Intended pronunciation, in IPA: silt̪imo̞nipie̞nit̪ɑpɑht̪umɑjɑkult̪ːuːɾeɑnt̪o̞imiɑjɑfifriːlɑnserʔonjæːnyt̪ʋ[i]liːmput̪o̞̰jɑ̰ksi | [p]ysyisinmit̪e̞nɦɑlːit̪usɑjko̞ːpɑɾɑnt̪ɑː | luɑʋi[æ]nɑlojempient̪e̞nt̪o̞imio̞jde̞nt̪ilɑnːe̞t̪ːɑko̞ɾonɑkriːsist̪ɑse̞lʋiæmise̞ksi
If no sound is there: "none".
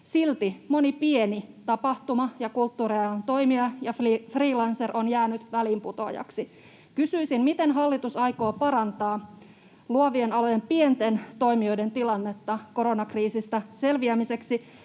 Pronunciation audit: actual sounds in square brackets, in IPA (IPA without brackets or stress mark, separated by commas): æ, k, e